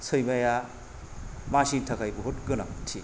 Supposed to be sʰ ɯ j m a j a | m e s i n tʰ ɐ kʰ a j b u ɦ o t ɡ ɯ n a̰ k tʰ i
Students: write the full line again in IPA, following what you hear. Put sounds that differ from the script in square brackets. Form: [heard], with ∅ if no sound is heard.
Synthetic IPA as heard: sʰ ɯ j m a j a | m [a] s i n tʰ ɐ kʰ a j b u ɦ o t ɡ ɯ n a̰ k tʰ i